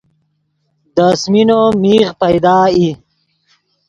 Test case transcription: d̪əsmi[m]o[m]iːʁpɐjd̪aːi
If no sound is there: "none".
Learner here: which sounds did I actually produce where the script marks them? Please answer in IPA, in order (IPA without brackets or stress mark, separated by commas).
n, m